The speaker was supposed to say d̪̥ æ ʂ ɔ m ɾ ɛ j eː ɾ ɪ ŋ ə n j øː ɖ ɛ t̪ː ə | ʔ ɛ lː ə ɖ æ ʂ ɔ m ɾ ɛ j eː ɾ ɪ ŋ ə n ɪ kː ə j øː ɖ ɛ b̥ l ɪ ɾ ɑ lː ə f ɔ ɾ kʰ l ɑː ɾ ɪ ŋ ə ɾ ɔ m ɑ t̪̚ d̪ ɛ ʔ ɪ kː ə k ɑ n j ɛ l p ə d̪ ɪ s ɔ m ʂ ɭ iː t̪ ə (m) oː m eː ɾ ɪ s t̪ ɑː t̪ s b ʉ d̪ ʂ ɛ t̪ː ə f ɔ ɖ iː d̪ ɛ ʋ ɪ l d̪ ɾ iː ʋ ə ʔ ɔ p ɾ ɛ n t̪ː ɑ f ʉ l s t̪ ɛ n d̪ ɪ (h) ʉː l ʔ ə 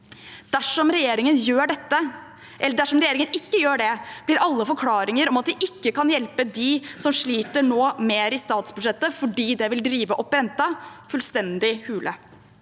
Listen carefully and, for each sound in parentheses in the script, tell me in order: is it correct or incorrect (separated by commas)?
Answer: incorrect, correct